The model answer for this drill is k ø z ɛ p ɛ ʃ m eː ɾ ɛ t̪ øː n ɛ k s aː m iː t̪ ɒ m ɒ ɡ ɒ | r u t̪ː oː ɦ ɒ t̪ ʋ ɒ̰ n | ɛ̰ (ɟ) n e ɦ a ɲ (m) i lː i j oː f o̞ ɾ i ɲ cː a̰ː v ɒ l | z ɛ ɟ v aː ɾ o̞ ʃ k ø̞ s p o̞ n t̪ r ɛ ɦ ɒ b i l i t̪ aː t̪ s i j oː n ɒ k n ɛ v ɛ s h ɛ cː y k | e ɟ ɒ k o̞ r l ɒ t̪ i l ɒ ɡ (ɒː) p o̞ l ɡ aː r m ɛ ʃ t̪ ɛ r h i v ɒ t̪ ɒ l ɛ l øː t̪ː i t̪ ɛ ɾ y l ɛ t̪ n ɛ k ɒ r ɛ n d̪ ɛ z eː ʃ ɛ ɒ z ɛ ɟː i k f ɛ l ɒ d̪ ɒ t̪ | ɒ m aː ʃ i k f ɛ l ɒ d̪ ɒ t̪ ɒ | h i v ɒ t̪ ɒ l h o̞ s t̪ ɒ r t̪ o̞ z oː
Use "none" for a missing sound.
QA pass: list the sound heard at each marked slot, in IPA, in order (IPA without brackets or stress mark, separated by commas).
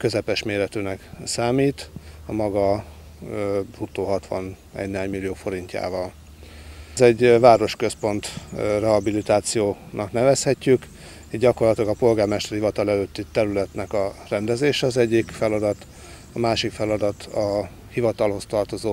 ɟ, m, ɒ